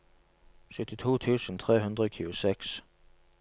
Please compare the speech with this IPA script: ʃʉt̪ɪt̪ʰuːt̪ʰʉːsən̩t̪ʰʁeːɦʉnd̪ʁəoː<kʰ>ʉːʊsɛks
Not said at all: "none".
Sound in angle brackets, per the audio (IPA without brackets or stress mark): kʰ